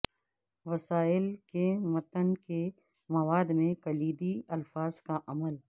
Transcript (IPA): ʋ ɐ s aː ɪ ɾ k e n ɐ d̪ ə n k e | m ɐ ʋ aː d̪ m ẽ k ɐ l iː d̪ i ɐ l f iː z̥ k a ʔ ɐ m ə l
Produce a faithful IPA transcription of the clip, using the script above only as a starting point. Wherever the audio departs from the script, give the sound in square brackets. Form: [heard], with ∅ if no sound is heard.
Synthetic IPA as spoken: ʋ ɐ s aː ɪ [l] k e [m] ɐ [t̪] ə n k e | m ɐ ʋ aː d̪ m ẽ k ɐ l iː d̪ i ɐ l f [aː] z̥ k a ʔ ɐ m ə l